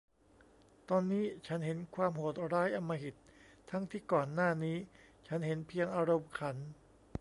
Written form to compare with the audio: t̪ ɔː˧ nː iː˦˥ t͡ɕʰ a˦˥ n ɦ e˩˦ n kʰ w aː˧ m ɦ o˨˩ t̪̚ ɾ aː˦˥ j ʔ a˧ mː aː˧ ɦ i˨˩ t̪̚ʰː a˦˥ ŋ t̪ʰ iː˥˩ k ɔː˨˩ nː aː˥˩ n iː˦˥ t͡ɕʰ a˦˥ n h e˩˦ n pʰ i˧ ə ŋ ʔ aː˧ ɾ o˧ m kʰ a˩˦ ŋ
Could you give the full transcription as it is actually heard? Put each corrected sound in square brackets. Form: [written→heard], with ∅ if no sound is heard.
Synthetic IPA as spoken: t̪ ɔː˧ nː iː˦˥ t͡ɕʰ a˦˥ n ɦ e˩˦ n kʰ w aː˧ m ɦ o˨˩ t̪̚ ɾ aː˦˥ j ʔ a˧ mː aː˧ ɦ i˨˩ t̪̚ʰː a˦˥ ŋ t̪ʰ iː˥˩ k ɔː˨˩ nː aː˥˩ n iː˦˥ t͡ɕʰ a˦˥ n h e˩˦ n pʰ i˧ ə ŋ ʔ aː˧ ɾ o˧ m kʰ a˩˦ [ŋ→n]